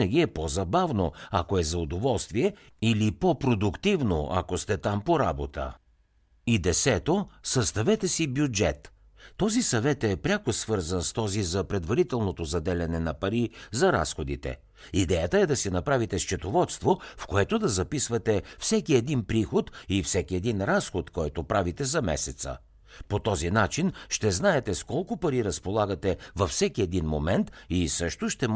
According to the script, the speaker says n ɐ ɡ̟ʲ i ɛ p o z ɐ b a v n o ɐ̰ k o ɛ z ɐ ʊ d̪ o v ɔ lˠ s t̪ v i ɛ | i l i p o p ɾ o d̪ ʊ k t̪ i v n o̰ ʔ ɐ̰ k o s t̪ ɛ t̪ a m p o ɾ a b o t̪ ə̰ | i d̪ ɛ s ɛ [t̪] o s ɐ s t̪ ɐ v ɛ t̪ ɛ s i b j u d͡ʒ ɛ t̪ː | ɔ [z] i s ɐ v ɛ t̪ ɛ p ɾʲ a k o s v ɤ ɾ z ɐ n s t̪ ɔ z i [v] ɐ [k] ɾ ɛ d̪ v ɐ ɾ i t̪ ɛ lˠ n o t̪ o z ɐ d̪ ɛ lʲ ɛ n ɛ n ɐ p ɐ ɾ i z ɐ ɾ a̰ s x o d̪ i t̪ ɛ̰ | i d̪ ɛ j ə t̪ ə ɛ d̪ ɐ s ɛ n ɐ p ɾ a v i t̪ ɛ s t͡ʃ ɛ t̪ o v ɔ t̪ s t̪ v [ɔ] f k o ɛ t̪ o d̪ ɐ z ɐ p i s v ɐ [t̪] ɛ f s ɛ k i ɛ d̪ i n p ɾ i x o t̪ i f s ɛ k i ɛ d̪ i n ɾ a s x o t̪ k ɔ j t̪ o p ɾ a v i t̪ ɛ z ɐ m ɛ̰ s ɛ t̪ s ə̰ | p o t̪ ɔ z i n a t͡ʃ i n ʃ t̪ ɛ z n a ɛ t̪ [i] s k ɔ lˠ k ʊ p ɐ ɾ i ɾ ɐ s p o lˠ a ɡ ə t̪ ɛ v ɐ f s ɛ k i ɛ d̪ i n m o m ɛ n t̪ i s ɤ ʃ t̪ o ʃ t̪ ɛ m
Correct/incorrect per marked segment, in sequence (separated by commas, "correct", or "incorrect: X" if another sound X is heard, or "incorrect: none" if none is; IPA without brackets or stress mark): correct, correct, incorrect: z, incorrect: p, incorrect: o, correct, incorrect: ɛ